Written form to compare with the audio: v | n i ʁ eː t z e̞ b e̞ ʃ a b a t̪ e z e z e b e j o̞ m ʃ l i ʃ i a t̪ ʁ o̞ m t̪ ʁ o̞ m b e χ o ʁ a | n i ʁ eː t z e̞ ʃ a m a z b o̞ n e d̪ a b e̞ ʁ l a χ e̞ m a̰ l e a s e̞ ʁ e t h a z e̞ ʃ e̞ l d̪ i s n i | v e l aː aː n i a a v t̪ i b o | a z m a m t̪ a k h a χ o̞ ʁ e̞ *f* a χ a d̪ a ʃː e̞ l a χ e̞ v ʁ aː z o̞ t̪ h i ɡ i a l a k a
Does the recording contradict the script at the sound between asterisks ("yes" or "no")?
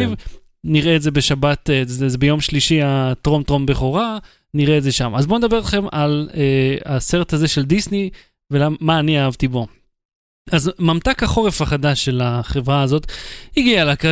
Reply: no